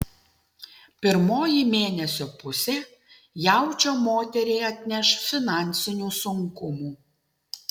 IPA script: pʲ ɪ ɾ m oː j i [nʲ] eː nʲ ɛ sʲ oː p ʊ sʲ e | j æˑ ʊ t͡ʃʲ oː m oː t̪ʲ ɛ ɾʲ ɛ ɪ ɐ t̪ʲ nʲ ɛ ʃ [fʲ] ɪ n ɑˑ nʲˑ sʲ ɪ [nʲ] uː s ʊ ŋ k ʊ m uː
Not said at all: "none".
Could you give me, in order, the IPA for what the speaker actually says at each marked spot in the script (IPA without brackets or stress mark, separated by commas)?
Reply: mʲ, fʲ, nʲ